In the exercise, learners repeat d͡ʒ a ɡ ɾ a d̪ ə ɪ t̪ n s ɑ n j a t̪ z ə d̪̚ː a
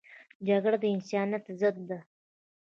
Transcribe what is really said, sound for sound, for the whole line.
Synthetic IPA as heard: d͡ʒ a ɡ ɽ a d̪ ə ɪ n s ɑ n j a t̪ z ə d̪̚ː a